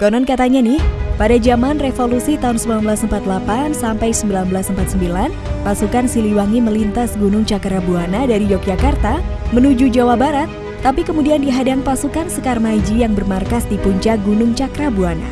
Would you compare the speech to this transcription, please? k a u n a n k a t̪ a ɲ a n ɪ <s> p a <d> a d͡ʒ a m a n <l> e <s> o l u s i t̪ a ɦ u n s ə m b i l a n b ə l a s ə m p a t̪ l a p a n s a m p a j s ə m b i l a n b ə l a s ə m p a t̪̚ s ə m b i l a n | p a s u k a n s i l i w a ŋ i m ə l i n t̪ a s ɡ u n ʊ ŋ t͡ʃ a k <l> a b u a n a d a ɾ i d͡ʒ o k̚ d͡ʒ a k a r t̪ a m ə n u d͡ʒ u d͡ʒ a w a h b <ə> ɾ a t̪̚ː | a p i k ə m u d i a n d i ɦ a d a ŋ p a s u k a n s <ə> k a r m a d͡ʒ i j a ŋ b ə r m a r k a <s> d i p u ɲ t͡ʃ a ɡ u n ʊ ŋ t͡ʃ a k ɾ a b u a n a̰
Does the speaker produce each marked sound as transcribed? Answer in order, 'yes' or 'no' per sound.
no, yes, no, no, no, no, yes, yes

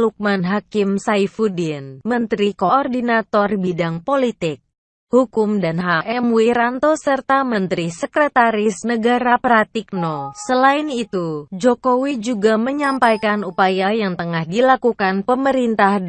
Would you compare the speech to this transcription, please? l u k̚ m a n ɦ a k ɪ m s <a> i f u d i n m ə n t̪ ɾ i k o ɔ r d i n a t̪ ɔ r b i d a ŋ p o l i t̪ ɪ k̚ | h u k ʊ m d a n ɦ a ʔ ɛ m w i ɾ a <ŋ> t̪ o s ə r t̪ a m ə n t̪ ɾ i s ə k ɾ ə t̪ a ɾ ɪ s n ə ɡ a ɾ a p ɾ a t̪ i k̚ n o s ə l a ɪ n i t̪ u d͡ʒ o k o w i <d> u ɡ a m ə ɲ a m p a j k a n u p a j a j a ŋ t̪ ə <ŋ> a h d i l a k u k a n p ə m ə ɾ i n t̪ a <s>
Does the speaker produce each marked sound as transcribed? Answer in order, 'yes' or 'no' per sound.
yes, no, no, yes, no

